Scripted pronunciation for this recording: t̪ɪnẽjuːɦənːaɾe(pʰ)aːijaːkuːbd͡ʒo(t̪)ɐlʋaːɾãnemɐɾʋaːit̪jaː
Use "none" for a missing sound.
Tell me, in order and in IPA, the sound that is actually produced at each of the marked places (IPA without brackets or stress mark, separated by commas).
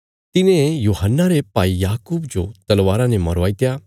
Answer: p, t̪